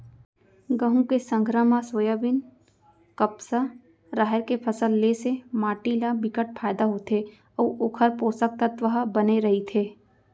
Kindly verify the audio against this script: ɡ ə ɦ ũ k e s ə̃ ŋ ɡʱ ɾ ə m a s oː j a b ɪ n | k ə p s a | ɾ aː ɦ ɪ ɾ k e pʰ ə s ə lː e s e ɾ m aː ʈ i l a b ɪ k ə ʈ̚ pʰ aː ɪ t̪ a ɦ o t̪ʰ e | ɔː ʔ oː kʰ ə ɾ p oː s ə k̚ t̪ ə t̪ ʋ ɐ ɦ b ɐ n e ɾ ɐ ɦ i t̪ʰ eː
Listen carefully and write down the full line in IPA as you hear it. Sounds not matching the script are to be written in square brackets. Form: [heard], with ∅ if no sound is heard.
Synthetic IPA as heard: ɡ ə ɦ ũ k e s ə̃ ŋ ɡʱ ɾ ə m a s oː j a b ɪ n | k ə p s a | ɾ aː ɦ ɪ ɾ k e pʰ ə s ə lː e s e [∅] m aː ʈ i l a b ɪ k ə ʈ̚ pʰ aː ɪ [d̪] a ɦ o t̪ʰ e | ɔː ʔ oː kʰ ə ɾ p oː s ə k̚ t̪ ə t̪ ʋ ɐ ɦ b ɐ n e ɾ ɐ ɦ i t̪ʰ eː